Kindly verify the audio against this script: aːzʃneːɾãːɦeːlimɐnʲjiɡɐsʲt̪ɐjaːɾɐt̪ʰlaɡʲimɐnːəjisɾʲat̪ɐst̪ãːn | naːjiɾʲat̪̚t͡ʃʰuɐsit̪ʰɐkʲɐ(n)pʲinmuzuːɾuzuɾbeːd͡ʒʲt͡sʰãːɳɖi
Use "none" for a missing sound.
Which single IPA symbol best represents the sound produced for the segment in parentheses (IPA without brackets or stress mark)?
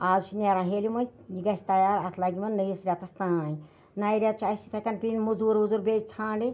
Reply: n